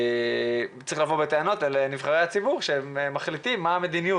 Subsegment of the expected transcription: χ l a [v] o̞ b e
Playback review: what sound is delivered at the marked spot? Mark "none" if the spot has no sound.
v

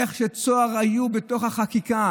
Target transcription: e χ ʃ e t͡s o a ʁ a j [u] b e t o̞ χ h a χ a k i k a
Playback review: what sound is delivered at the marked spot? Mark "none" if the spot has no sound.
u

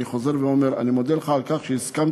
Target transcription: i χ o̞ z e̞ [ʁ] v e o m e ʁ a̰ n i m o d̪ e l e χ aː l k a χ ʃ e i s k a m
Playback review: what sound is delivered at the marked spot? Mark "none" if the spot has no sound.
ʁ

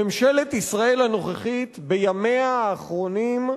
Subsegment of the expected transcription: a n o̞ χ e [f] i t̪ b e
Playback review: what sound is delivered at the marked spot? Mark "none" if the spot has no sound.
χ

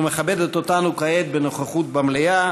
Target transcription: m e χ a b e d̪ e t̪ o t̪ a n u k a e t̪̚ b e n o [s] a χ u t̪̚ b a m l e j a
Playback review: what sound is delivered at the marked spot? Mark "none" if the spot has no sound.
χ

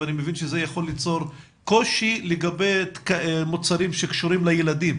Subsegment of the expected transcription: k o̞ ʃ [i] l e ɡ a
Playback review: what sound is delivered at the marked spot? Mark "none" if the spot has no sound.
i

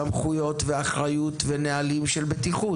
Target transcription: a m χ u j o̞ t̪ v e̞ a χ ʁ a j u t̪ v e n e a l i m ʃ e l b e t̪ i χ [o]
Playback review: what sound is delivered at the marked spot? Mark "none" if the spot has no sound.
u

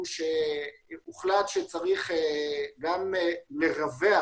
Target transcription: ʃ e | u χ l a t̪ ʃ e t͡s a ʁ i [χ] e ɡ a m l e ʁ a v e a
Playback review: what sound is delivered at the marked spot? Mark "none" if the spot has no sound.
χ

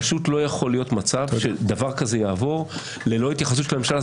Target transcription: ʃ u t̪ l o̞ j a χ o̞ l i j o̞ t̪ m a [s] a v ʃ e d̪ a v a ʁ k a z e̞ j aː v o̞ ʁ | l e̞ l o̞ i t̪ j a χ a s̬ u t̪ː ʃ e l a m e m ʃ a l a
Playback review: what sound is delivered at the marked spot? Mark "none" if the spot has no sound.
t͡s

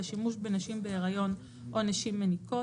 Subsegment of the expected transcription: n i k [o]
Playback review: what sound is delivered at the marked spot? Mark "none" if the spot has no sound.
o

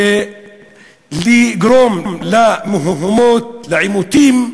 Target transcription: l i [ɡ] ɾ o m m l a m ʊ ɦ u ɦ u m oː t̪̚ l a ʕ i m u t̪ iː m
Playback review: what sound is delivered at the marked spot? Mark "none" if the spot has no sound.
ɡ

